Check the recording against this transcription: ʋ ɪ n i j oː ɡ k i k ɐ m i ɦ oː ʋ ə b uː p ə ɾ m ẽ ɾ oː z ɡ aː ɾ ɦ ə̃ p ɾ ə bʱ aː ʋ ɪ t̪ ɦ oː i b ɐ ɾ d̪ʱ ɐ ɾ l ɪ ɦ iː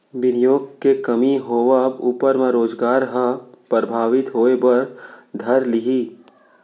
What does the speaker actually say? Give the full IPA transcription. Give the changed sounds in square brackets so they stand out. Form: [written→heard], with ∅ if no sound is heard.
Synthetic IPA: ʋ ɪ n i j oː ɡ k [i→e] k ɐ m i ɦ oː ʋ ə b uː p ə ɾ m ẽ ɾ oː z ɡ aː ɾ ɦ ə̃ p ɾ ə bʱ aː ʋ ɪ t̪ ɦ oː [i→e] b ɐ ɾ d̪ʱ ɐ ɾ l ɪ ɦ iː